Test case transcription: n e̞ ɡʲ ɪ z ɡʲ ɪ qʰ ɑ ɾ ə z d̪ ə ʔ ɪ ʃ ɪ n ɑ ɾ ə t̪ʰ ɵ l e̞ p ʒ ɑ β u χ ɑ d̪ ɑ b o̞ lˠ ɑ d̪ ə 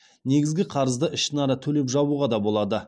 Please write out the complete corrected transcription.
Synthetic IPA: n e̞ ɡʲ ɪ z ɡʲ ɪ qʰ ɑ ɾ ə z d̪ ə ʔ ɪ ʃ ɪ n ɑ ɾ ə t̪ʰ ɵ l e̞ p ʒ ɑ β u ʁ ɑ d̪ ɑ b o̞ lˠ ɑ d̪ ə

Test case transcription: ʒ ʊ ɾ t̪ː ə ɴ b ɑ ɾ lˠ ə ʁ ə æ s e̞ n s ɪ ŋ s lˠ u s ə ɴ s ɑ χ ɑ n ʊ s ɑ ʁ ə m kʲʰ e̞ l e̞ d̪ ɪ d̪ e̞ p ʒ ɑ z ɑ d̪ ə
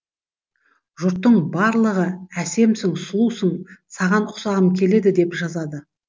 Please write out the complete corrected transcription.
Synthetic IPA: ʒ ʊ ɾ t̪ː ə ɴ b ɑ ɾ lˠ ə ʁ ə æ s e̞ m s ɪ ŋ s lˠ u s ə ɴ s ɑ ʁ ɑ n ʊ s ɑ ʁ ə m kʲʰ e̞ l e̞ d̪ ɪ d̪ e̞ p ʒ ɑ z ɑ d̪ ə

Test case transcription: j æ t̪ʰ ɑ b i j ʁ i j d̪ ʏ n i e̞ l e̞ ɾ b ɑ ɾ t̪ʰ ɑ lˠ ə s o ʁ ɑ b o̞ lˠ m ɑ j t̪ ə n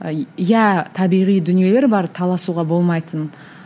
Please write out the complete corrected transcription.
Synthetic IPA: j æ t̪ʰ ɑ b i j ʁ i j d̪ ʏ n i e̞ l e̞ ɾ b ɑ ɾ t̪ʰ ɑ lˠ ɑ s u ʁ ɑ b o̞ lˠ m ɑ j t̪ ə n

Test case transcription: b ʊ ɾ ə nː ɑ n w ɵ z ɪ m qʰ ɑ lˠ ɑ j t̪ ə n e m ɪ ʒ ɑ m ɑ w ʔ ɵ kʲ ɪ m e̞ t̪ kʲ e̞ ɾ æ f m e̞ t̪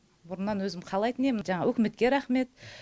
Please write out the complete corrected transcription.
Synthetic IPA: b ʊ ɾ ə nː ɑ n w ɵ z ɪ m qʰ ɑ lˠ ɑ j t̪ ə n e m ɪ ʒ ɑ ɴ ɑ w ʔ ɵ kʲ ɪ m e̞ t̪ kʲ e̞ ɾ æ χ m e̞ t̪

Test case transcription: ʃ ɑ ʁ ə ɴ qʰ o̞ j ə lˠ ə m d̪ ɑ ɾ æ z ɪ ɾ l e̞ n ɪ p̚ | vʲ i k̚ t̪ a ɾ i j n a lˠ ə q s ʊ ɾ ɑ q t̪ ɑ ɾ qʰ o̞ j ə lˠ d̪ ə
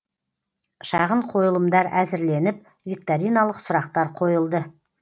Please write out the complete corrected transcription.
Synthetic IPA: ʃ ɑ ʁ ə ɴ qʰ o̞ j ə lˠ ə m d̪ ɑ ɾ æ z ɪ ɾ l e̞ n ɪ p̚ | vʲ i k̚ t̪ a ɾ i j n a lˠ ə q s ʊ ɾ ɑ q t̪ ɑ ɾ qʰ o̞ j ə lˠ d̪ ə

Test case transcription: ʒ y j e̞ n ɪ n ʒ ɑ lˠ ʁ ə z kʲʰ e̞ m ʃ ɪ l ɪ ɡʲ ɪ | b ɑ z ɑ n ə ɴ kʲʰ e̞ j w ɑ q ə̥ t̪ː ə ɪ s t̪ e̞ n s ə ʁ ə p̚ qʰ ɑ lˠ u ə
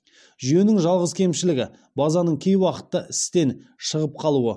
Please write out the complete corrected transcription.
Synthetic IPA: ʒ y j e̞ n ɪ ŋ ʒ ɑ lˠ ʁ ə z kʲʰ e̞ m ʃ ɪ l ɪ ɡʲ ɪ | b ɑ z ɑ n ə ɴ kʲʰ e̞ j w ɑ q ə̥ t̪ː ə ɪ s t̪ e̞ n ʃ ə ʁ ə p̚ qʰ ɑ lˠ u ə

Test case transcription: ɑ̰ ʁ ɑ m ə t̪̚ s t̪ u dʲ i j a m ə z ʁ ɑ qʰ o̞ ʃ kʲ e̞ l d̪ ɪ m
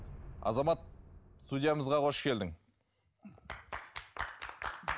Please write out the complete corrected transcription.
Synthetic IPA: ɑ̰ z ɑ m ɑ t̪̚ s t̪ u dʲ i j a m ə z ʁ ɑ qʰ o̞ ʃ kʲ e̞ l d̪ ɪ ŋ

